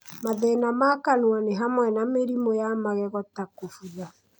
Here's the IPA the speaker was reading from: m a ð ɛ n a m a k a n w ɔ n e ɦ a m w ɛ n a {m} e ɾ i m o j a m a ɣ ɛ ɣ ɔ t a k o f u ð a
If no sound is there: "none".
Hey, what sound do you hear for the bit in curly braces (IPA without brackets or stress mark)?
m